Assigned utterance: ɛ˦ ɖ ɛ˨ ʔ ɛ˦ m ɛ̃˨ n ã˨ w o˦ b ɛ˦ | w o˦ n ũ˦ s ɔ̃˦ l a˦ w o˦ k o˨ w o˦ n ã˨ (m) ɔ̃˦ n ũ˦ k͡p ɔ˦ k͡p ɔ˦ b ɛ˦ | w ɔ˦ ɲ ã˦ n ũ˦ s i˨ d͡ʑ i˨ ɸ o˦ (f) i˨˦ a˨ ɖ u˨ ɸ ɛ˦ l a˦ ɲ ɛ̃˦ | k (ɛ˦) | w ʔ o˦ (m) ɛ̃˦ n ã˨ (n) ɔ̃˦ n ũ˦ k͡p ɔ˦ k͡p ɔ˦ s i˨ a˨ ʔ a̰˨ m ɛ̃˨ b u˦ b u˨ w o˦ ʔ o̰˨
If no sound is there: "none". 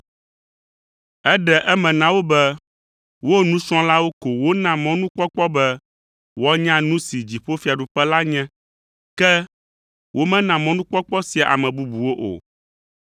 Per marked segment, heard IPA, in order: m, f, ɛ˦, m, m

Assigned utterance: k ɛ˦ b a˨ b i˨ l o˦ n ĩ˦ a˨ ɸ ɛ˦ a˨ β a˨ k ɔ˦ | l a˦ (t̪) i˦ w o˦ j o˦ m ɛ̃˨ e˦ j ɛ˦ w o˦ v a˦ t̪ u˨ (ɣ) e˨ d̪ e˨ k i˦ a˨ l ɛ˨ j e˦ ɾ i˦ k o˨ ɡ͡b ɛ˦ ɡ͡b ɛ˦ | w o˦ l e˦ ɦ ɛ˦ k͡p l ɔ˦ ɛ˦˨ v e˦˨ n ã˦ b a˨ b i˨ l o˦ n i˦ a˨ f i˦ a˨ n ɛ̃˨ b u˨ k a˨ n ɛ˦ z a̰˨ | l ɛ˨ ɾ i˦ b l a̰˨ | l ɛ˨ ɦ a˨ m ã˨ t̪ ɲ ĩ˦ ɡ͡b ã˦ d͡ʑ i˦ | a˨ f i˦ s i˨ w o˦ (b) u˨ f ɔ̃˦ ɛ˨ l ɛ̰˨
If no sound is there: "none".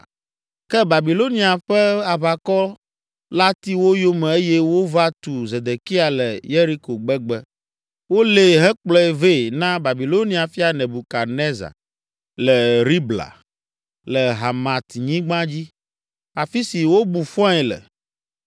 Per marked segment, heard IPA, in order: t̪, z, b

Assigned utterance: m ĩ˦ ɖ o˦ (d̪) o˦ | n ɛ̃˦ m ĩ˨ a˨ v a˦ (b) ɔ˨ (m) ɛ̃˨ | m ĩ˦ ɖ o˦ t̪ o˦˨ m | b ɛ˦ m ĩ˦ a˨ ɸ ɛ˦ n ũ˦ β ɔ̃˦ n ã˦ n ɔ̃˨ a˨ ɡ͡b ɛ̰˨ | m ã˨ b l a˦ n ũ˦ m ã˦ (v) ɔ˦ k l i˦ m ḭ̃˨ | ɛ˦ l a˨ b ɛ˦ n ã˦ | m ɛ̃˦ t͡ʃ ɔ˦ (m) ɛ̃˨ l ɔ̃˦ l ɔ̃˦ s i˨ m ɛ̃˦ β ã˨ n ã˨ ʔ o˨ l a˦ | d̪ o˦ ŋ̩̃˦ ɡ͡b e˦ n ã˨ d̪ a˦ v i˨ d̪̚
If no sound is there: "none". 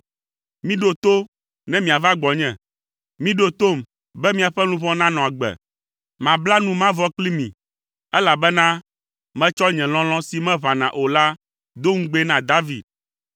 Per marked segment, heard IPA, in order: t̪, ɡ͡b, ɲ, v, ɲ

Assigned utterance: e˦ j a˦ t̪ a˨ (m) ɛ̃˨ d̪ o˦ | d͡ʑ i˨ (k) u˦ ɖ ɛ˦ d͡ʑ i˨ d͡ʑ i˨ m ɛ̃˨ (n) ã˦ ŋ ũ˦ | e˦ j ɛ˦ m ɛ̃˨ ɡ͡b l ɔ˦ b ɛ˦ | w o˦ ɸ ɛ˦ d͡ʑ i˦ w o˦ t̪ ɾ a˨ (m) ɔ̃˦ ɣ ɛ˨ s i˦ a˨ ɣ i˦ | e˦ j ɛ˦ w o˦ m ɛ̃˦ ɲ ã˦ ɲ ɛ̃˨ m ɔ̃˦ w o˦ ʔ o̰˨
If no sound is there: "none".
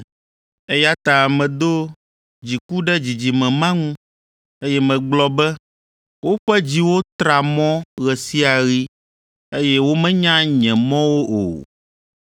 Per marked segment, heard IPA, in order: m, k, m, m

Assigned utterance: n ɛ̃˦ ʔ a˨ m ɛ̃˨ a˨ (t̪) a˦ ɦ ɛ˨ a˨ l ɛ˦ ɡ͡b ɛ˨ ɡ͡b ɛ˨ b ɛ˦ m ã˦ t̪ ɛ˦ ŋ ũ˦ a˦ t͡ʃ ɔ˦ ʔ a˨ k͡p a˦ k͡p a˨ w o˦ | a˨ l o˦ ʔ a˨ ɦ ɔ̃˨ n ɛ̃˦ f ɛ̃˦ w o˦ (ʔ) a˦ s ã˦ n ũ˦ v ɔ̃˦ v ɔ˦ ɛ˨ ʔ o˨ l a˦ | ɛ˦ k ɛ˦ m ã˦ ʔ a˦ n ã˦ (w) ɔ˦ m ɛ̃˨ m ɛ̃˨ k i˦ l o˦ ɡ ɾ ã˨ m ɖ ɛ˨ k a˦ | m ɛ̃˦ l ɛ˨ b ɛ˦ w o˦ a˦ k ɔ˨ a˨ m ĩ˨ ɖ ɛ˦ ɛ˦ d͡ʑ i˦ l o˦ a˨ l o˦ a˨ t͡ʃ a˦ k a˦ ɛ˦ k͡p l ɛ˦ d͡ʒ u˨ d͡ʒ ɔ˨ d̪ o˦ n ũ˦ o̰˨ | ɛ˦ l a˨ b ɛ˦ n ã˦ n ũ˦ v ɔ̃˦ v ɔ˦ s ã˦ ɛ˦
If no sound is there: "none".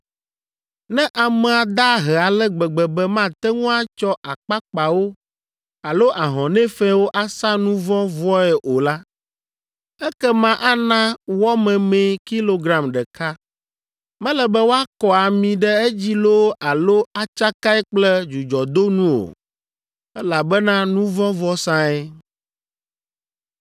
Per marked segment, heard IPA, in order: d̪, ʔ, w

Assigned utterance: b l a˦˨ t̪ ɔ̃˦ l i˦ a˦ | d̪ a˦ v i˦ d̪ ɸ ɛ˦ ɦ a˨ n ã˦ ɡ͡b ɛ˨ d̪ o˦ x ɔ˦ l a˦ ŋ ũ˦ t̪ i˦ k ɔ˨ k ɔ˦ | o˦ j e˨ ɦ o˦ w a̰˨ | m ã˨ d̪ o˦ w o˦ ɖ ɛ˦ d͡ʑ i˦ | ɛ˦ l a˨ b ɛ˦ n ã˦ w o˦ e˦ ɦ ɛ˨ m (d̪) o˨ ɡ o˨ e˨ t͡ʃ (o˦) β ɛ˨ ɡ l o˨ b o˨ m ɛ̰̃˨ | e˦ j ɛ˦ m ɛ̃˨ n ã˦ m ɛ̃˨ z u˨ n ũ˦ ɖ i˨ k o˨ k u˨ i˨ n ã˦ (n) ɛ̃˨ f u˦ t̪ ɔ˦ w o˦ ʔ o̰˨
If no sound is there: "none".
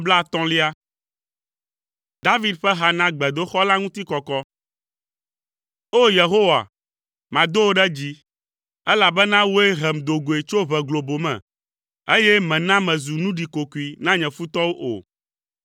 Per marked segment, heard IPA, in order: d̪, o˦, ɲ

